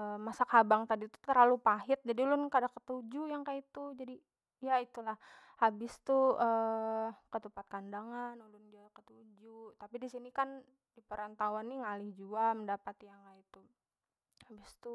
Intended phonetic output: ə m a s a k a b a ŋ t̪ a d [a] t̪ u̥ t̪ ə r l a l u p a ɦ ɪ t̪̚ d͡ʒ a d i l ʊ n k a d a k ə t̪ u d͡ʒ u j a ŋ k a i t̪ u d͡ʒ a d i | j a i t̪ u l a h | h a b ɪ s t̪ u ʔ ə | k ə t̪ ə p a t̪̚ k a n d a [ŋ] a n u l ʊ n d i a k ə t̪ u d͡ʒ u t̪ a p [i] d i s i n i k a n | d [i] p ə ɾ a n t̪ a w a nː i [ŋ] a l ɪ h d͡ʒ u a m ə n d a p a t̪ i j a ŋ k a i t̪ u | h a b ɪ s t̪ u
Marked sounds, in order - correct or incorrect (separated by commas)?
incorrect, correct, correct, correct, correct